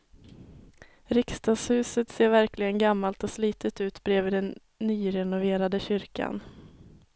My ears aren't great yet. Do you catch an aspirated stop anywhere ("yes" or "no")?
no